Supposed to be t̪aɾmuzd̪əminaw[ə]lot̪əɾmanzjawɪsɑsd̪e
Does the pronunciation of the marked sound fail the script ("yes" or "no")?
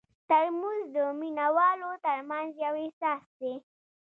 yes